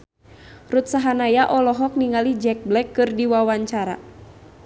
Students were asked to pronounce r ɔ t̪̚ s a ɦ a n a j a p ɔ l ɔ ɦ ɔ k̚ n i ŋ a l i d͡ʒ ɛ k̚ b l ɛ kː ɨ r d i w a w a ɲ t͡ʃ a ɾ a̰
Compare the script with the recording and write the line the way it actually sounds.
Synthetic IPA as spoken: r u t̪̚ s a ɦ a n a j a ʔ ɔ l ɔ ɦ ɔ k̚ n i ŋ a l i d͡ʒ ɛ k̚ b l ɛ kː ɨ r d i w a w a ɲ t͡ʃ a ɾ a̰